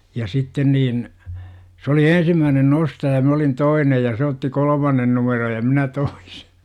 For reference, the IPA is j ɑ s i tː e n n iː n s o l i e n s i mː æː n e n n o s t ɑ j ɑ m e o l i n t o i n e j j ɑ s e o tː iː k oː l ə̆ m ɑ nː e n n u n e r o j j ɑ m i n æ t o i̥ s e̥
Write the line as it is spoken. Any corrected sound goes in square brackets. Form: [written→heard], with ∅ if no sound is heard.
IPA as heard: j ɑ s i tː e n n iː n s o l i e n s i mː æː n e n n o s t ɑ j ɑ m [e→æ] o l i n t o i n e j j ɑ s e o tː [iː→i] k [oː→o] l ə̆ m ɑ nː e n n u [n→m] e r o j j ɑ m i n æ t o i̥ s e̥